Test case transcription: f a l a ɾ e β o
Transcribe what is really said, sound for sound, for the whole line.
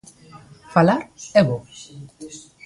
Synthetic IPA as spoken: f a l a ɾ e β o